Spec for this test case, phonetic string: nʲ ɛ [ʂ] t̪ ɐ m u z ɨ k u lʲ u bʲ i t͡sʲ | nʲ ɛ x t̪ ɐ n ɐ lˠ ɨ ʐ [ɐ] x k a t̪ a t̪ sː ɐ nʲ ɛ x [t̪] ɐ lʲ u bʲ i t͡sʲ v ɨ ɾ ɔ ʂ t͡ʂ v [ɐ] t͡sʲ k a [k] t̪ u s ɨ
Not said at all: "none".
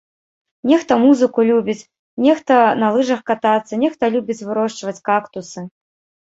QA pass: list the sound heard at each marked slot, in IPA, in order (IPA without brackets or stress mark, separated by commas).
x, ɐ, t̪, ɐ, k